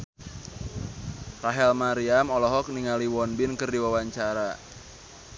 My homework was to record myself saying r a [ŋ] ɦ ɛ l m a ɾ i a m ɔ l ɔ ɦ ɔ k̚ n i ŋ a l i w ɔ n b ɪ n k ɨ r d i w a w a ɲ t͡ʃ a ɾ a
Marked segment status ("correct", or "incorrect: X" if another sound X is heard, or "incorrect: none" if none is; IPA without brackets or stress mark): incorrect: none